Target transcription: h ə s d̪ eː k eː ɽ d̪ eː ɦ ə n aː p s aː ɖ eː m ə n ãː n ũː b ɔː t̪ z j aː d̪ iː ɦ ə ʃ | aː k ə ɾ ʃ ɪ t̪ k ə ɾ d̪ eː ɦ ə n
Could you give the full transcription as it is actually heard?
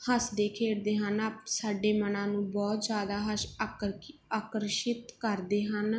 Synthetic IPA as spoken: h ə s d̪ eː kʰ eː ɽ d̪ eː ɦ ə n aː p s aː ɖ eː m ə n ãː n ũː b ɔː t̪ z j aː d̪ aː ɦ ə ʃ | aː k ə ɾ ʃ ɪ t̪ k ə ɾ d̪ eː ɦ ə n